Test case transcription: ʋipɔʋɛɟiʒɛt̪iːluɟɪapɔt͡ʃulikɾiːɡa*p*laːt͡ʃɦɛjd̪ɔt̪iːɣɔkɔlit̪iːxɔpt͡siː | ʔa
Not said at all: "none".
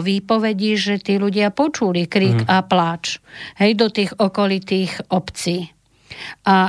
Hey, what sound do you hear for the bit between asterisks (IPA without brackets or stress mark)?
p